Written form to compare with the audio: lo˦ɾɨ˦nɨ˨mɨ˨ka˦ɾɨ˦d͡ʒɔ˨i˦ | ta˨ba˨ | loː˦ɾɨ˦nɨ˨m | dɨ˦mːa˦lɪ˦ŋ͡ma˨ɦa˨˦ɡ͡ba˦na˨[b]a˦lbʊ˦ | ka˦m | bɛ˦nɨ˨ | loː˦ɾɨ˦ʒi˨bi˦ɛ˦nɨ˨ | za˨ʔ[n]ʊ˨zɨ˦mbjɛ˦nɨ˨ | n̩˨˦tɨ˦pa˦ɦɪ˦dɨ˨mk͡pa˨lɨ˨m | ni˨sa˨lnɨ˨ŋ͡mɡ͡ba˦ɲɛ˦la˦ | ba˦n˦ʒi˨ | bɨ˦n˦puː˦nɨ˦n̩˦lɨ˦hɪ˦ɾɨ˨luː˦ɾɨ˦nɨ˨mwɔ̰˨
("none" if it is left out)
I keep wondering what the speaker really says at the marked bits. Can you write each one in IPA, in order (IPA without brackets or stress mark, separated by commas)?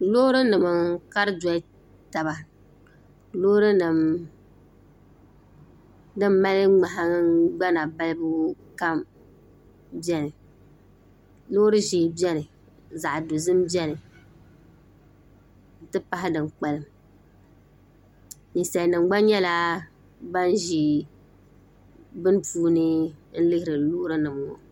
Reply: b, d